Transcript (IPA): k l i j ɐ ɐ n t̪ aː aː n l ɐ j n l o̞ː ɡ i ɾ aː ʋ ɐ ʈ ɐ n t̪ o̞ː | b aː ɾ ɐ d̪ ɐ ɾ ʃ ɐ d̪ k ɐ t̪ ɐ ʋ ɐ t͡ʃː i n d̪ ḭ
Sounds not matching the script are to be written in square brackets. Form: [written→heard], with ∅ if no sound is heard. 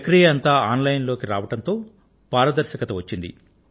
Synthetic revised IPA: k [l→ɾ] i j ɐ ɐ n t̪ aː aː n l ɐ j n l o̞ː [ɡ→k] i ɾ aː ʋ ɐ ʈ ɐ n t̪ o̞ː | [b→p] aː ɾ ɐ d̪ ɐ ɾ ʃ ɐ [d̪→∅] k ɐ t̪ ɐ ʋ ɐ t͡ʃː i n d̪ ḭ